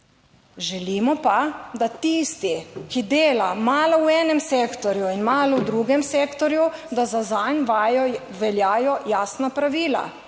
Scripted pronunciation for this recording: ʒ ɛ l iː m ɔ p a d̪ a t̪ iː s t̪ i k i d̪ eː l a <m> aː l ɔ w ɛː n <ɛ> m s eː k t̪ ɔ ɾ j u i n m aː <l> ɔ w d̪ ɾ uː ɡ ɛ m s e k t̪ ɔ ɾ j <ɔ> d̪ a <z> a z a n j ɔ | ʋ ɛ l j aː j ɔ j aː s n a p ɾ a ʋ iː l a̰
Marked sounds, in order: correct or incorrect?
correct, correct, correct, incorrect: u, correct

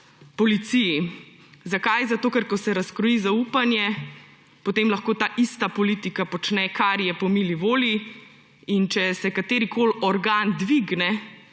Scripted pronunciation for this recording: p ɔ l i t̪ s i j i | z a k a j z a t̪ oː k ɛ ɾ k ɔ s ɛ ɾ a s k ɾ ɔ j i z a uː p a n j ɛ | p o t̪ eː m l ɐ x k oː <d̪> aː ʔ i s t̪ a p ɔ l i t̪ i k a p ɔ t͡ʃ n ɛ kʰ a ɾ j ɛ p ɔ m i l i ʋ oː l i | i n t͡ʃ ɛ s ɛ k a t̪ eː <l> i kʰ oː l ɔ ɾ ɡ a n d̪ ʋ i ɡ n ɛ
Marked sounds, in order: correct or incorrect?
incorrect: t̪, incorrect: ɾ

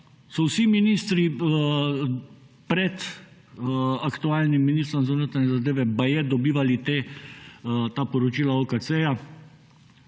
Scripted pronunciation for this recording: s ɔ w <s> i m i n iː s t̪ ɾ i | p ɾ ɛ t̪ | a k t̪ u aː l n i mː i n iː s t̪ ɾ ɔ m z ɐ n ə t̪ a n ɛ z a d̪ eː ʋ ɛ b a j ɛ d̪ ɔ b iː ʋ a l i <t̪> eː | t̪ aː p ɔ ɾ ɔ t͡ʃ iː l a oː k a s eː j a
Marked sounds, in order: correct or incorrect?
correct, correct

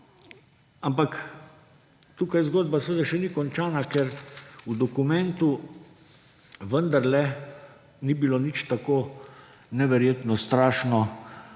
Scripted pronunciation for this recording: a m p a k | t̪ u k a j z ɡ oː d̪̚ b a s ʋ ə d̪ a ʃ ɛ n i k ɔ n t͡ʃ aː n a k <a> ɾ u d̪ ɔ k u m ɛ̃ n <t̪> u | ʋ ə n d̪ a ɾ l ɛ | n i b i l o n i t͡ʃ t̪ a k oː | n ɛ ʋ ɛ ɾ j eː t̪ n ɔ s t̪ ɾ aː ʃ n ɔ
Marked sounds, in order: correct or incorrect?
incorrect: ɛ, correct

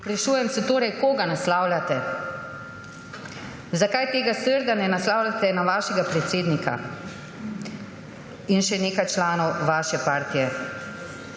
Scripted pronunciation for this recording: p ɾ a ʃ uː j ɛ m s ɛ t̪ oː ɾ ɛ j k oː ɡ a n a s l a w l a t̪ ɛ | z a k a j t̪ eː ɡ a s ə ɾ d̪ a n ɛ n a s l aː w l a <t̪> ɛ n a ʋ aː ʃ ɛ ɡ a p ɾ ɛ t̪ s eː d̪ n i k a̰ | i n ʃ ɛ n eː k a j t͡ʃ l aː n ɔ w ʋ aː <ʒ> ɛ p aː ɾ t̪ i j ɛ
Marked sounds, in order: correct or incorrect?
correct, incorrect: ʃ

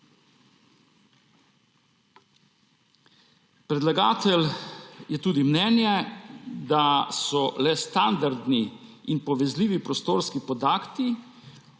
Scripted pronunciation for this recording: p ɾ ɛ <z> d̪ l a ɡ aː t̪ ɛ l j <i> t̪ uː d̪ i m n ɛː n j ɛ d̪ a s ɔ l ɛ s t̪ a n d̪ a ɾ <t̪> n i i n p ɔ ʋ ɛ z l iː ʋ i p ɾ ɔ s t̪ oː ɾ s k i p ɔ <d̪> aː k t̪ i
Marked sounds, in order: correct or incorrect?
incorrect: none, incorrect: ɛ, incorrect: d̪, correct

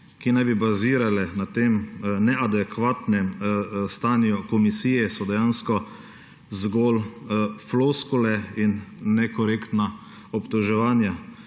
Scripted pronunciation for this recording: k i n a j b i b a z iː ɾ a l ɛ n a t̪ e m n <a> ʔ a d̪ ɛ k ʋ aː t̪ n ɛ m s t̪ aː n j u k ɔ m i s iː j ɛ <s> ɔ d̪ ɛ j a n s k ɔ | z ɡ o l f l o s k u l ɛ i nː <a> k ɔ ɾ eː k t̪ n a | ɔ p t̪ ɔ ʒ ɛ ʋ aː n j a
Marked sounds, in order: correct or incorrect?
incorrect: ɛ, correct, incorrect: ɛ

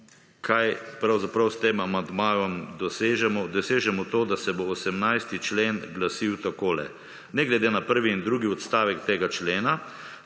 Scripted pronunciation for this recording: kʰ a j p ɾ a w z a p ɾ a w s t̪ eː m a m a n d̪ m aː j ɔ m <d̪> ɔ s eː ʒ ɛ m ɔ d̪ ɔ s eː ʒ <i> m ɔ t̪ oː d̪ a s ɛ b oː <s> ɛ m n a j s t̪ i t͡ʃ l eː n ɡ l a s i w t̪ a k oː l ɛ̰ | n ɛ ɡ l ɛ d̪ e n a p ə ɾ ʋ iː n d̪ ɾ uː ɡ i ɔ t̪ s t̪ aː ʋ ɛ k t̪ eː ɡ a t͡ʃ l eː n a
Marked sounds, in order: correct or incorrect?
correct, incorrect: ɛ, correct

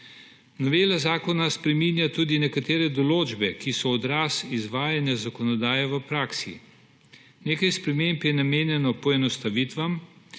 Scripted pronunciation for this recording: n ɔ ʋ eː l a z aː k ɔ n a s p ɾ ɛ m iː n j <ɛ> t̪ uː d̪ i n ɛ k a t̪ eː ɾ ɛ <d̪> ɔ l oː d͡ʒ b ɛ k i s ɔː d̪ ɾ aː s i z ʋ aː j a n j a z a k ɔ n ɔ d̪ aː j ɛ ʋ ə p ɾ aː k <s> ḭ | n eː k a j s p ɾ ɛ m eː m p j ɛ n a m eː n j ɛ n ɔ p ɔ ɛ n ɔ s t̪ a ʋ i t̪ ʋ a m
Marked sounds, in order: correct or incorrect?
incorrect: a, correct, correct

